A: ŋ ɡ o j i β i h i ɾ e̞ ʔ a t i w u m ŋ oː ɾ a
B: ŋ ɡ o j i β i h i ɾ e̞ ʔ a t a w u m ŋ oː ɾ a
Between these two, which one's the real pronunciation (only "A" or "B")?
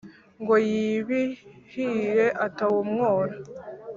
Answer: B